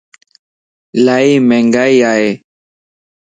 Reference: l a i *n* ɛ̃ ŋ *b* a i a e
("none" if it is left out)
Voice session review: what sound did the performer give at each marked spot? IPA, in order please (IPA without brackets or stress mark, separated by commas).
m, ɡ